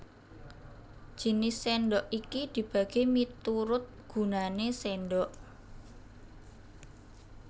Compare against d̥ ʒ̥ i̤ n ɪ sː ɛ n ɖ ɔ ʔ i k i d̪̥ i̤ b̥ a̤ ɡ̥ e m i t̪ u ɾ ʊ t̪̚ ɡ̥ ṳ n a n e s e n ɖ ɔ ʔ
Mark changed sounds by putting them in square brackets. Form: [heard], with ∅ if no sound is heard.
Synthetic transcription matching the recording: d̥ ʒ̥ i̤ n ɪ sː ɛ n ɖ ɔ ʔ i k i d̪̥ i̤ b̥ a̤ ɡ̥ e m i t̪ u ɾ ʊ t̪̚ ɡ̥ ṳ n a n e s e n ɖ ɔ ʔ